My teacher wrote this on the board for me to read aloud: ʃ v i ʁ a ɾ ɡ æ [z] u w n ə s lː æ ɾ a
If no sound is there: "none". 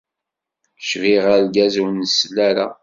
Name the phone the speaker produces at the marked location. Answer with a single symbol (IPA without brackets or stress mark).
z